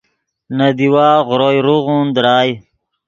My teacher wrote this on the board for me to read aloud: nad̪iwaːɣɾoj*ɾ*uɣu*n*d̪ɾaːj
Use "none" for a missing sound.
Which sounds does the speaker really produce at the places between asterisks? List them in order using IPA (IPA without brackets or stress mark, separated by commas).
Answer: ɾ, n